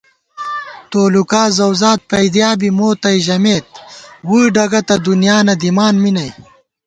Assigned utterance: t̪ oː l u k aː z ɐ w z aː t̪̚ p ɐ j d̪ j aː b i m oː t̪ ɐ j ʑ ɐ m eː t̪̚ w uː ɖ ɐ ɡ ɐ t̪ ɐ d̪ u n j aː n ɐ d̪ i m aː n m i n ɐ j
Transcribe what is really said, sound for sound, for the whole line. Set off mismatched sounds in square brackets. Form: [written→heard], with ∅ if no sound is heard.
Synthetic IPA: t̪ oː l u k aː z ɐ w z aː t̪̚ p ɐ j d̪ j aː b i m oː t̪ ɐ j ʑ ɐ m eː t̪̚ w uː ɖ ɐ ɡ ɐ t̪ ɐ d̪ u n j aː n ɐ d̪ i m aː n m i n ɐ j